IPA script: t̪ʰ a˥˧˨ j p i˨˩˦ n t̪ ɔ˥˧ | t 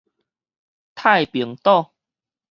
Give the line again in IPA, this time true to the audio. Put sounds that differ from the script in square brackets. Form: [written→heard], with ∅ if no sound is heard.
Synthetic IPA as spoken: t̪ʰ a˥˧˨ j p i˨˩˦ [n→ŋ] t̪ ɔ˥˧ | t